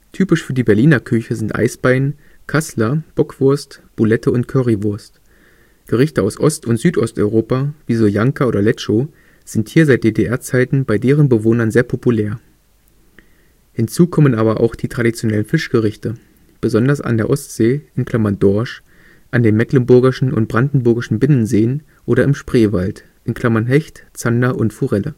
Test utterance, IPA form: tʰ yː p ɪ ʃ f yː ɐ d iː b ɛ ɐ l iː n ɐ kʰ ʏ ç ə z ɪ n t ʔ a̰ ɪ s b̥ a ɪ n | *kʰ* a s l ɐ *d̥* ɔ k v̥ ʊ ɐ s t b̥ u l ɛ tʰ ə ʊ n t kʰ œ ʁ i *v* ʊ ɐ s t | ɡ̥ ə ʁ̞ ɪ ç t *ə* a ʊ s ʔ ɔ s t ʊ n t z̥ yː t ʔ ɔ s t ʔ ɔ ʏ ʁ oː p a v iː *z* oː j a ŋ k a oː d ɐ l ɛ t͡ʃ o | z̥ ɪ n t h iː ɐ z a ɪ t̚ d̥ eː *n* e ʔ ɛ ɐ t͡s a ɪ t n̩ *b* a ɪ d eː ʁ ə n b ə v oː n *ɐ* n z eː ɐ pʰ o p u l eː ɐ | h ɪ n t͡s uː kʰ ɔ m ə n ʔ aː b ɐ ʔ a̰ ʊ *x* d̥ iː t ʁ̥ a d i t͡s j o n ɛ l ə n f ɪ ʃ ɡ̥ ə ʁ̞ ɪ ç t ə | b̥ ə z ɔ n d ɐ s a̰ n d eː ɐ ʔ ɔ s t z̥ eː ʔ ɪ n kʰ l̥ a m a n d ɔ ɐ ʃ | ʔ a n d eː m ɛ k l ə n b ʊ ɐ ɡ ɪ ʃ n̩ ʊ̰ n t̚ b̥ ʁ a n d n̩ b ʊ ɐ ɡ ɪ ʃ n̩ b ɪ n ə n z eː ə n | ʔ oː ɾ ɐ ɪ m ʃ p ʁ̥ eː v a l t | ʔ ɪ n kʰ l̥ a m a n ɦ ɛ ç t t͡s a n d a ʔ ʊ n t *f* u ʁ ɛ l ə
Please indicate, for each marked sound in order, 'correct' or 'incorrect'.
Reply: correct, incorrect: b̥, correct, correct, correct, incorrect: d, correct, correct, correct, correct

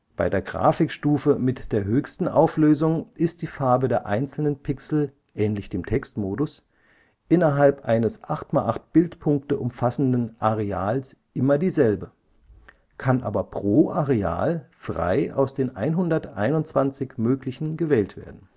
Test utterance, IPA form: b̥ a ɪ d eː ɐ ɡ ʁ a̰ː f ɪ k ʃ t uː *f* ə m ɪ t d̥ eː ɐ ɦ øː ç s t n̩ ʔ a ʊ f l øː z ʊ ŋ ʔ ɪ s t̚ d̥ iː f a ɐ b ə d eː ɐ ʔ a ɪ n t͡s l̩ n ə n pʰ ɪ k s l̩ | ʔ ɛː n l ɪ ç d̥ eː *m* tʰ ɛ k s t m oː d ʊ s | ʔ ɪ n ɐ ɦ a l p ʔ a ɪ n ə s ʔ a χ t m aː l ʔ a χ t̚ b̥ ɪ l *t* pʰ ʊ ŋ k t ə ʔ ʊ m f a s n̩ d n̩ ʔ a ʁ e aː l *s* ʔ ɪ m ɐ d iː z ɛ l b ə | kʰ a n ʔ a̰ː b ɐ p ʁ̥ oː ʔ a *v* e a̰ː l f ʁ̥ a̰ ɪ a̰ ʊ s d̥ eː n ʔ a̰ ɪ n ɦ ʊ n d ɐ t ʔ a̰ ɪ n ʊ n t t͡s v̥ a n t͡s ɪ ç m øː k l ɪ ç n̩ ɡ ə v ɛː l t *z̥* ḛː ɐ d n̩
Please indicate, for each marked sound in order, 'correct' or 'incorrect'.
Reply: correct, correct, correct, correct, incorrect: ʁ, incorrect: v̥

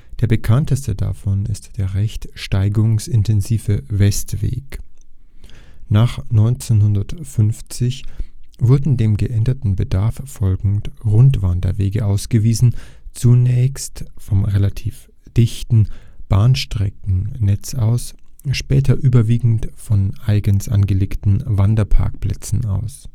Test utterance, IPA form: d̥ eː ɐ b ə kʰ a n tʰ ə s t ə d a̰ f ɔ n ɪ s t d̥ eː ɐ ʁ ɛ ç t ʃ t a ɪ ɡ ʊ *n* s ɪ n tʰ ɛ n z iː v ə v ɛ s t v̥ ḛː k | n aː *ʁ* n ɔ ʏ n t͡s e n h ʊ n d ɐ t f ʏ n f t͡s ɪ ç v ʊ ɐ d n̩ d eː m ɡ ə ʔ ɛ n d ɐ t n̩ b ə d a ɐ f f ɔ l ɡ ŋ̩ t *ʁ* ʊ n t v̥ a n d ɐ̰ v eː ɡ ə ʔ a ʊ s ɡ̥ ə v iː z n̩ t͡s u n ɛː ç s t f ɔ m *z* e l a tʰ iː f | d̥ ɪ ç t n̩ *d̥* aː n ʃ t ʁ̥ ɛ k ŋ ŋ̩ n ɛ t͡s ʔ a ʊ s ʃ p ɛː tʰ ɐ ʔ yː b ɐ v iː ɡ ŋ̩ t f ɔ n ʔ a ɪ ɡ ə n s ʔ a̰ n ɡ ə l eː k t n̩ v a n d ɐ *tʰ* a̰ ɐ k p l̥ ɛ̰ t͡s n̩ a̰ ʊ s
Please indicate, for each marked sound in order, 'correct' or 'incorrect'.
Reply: incorrect: ŋ, incorrect: χ, correct, incorrect: ʁ, incorrect: b̥, incorrect: pʰ

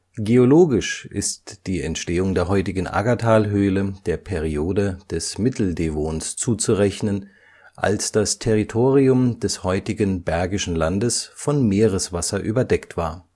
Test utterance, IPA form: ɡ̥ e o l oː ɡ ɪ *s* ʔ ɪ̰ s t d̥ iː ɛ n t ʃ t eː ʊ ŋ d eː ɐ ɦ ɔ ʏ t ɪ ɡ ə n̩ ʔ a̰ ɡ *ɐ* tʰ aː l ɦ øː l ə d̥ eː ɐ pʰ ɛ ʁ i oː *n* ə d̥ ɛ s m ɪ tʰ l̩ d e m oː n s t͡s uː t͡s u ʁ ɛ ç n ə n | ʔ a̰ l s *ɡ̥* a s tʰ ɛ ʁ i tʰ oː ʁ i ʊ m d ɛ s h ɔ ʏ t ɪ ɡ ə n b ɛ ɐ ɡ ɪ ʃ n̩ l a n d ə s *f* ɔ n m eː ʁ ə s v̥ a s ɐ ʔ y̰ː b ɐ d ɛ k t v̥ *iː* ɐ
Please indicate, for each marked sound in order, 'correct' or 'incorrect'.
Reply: incorrect: ʃ, incorrect: a, incorrect: d, incorrect: d̥, correct, incorrect: aː

